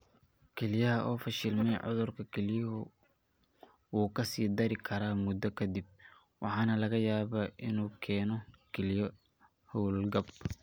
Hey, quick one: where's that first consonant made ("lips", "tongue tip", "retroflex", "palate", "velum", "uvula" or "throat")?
velum